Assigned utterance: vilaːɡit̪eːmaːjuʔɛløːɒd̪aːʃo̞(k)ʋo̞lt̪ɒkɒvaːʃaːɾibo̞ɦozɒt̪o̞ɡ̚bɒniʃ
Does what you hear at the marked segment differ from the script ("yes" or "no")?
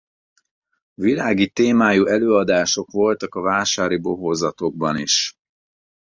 no